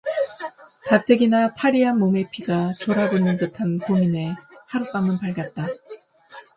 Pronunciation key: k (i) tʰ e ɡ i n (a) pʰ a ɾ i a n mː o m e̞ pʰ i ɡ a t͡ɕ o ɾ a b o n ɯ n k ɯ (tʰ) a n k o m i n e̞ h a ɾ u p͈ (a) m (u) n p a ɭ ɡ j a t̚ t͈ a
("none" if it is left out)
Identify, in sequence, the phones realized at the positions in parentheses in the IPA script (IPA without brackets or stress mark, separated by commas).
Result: a, a, tʰ, a, ɯ